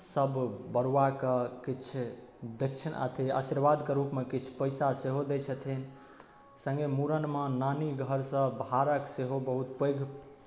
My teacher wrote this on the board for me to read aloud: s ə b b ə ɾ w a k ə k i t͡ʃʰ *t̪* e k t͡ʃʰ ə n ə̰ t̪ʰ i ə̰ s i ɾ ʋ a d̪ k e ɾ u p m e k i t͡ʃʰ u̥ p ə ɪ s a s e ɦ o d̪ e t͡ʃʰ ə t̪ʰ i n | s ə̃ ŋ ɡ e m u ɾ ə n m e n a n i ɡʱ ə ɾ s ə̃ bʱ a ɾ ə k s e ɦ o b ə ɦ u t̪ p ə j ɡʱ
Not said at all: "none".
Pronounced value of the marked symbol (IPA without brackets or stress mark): d̪